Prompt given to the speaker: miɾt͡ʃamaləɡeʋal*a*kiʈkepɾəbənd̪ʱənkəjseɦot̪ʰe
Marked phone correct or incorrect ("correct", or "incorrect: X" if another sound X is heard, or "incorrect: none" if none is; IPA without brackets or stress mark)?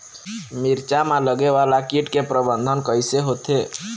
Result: correct